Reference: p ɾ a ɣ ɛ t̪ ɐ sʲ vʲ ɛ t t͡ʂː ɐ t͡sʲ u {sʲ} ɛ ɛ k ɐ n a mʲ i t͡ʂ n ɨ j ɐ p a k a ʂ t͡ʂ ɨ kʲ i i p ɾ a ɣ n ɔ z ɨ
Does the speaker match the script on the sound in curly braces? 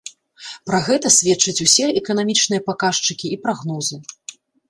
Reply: yes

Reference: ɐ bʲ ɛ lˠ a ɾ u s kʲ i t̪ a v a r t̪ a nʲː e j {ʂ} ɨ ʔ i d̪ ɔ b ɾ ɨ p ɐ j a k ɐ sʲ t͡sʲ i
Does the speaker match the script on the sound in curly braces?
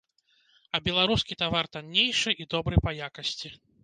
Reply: yes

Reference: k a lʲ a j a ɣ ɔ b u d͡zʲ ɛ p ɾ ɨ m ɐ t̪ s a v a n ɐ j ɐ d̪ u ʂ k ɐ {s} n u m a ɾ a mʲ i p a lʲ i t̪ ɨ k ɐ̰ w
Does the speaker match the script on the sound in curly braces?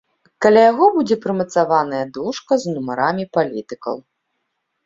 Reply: no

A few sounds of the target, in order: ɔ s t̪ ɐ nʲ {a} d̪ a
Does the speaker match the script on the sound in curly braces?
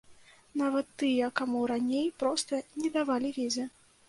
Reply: no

